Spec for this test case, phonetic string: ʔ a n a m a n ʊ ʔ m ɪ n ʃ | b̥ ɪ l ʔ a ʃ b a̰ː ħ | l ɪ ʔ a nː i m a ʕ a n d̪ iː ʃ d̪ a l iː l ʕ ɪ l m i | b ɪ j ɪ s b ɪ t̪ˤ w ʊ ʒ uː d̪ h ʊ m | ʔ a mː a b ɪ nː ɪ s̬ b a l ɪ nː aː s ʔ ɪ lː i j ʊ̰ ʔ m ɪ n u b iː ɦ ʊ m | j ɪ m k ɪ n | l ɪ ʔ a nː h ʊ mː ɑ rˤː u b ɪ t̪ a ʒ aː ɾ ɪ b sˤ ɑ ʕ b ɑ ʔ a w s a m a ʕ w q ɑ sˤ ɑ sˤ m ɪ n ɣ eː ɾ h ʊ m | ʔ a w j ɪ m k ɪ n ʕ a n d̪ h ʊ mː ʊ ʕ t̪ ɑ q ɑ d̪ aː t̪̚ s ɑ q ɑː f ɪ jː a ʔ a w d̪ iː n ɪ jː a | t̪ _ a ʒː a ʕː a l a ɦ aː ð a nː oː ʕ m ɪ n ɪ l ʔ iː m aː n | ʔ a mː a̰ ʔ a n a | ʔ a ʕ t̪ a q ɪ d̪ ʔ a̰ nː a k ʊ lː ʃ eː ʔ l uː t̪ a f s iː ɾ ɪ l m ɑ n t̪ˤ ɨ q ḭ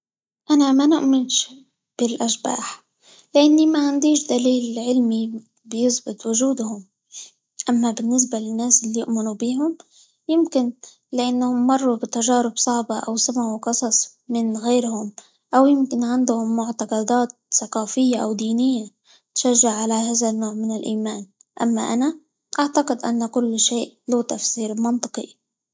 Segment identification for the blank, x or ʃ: ʃ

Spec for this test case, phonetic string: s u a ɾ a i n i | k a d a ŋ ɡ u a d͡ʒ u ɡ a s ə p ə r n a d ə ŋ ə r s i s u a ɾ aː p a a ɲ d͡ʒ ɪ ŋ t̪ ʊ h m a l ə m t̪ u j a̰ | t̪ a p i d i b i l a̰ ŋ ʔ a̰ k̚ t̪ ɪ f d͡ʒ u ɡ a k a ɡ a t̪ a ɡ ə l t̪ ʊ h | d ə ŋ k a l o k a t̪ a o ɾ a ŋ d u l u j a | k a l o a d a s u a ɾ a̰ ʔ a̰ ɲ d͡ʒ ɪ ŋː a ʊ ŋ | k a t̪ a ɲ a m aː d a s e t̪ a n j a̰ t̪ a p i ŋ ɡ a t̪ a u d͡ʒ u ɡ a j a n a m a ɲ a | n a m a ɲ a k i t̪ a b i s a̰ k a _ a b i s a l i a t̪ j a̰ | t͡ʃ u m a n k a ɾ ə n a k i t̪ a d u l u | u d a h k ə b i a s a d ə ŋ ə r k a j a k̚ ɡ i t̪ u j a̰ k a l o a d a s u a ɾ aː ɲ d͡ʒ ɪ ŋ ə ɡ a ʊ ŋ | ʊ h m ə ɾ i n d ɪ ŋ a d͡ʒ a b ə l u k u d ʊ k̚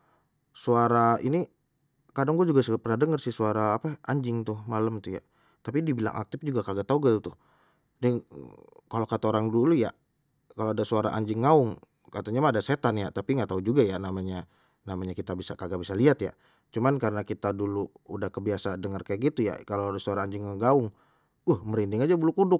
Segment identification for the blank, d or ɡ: ɡ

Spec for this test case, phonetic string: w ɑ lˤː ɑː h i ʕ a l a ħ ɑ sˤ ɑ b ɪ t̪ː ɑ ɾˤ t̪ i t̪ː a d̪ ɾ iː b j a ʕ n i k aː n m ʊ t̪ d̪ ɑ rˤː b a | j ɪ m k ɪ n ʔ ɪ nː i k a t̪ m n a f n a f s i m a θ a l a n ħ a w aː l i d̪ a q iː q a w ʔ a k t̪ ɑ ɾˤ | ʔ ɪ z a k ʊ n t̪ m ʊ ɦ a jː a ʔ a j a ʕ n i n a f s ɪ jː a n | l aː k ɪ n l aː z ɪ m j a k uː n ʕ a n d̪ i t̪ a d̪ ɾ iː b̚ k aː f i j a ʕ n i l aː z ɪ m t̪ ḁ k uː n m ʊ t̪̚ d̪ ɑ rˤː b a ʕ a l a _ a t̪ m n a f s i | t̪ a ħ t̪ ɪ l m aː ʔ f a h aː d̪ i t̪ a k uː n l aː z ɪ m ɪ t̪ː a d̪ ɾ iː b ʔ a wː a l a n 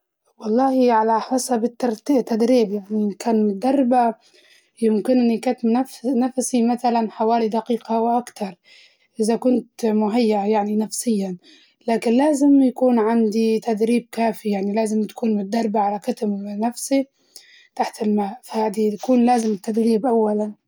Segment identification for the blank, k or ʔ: k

